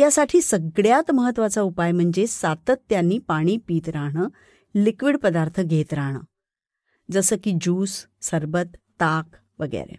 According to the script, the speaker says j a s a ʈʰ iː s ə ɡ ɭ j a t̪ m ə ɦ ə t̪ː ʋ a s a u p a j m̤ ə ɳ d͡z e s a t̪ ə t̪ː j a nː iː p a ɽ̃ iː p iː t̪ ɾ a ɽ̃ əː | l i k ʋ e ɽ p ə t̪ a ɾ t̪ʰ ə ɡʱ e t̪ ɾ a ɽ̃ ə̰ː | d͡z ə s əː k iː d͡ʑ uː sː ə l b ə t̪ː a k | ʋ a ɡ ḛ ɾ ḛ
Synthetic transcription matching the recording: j a s a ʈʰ iː s ə ɡ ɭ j a t̪ m ə ɦ ə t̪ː ʋ a t͡s a u p a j m̤ ə ɳ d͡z e s a t̪ ə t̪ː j a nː iː p a ɽ̃ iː p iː t̪ ɾ a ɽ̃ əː | l i k ʋ i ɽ p ə d̪ a ɾ t̪ʰ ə ɡʱ e t̪ ɾ a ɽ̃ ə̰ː | d͡z ə s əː k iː d͡ʑ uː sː ə ɾ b ə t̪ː a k | ʋ ə ɡ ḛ ɾ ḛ